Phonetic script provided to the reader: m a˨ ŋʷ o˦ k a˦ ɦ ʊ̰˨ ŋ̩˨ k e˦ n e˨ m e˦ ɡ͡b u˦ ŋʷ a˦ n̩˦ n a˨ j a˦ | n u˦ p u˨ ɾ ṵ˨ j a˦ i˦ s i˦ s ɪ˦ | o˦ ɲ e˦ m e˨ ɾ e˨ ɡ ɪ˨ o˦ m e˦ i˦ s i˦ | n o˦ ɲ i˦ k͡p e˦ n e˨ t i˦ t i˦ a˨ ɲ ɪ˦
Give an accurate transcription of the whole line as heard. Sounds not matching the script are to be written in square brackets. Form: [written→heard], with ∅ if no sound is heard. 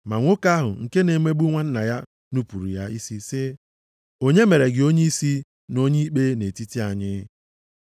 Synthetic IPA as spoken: m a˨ ŋʷ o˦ k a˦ ɦ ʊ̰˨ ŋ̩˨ k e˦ n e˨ m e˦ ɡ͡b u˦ ŋʷ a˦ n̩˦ n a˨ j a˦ | n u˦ p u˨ ɾ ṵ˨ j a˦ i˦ s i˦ s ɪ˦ | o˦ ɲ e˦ m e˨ ɾ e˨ ɡ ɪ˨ o˦ [m→ɲ] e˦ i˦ s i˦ | n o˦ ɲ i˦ k͡p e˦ n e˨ t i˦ t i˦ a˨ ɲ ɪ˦